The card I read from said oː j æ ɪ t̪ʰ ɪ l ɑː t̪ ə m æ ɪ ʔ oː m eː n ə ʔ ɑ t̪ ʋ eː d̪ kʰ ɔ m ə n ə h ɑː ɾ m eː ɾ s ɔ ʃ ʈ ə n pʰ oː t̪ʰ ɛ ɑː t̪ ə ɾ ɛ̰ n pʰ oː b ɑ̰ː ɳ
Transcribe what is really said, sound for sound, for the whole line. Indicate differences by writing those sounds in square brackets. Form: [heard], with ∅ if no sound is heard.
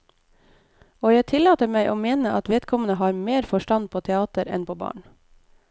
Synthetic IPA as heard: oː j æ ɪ t̪ʰ ɪ l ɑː t̪ ə m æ ɪ ʔ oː m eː n ə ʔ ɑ t̪ ʋ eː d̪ kʰ ɔ m ə n ə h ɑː ɾ m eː ɾ [f] ɔ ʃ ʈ [ɑ] n pʰ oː t̪ʰ ɛ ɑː t̪ ə ɾ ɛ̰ n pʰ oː b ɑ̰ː ɳ

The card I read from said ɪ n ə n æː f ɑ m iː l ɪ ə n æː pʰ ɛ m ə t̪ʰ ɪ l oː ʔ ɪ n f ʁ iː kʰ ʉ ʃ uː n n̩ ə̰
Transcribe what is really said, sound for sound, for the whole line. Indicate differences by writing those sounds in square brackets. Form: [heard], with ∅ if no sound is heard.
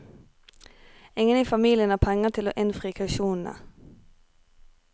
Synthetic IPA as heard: ɪ [ŋ] ə n [iː] f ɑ m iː l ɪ ə n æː pʰ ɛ [ŋ] ə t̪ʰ ɪ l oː ʔ ɪ n f ʁ iː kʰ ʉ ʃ uː n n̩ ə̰

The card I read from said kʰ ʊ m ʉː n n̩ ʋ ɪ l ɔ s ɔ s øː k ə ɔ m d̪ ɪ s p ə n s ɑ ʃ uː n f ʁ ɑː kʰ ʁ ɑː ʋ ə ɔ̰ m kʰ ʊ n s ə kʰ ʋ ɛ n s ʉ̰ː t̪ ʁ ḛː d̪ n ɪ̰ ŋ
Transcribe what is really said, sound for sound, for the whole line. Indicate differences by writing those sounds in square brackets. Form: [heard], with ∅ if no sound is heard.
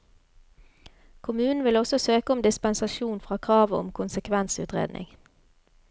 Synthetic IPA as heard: kʰ ʊ m ʉː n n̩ ʋ ɪ l ɔ s ɔ s øː k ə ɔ m d̪ ɪ s p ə n s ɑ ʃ uː n f ʁ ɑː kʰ ʁ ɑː ʋ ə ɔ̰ m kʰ ʊ n s ə kʰ ʋ ɛ n s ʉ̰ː t̪ ʁ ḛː d̪ n ɪ̰ ŋ

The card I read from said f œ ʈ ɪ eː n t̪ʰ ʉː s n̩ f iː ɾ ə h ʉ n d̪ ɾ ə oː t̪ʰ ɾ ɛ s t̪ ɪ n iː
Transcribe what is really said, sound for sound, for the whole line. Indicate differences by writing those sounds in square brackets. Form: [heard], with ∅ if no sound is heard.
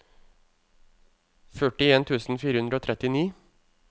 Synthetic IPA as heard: f œ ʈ ɪ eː n t̪ʰ ʉː s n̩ f iː ɾ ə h ʉ n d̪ ɾ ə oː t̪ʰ ɾ ɛ [∅] t̪ ɪ n iː

